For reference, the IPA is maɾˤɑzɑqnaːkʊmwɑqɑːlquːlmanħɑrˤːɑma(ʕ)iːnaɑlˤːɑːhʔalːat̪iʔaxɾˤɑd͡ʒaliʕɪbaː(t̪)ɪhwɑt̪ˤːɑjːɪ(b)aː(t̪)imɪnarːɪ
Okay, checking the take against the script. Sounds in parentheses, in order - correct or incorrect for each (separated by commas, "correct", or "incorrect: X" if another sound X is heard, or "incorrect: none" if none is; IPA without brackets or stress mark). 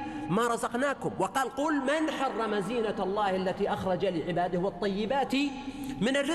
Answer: incorrect: z, incorrect: d̪, correct, correct